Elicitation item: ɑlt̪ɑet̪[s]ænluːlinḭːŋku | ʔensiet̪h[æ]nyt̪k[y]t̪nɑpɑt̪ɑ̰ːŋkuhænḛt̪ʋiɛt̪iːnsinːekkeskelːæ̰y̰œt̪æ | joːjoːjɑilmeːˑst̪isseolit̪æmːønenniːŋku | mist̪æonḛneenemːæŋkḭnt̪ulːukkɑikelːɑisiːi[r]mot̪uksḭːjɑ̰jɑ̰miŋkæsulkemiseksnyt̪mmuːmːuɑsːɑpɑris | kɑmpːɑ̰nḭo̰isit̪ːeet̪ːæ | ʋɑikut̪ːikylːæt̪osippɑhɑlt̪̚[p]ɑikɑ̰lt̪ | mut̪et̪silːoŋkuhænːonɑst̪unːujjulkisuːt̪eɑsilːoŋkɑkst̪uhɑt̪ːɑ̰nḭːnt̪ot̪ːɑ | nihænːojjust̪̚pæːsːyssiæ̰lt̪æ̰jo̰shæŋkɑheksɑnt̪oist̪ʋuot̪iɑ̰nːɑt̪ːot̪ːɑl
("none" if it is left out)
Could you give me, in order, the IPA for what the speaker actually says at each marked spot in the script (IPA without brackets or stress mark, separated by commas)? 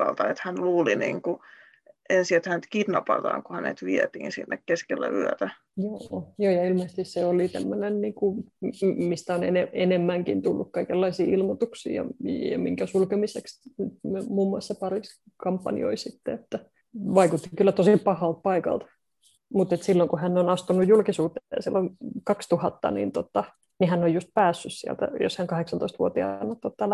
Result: h, æ, i, l, p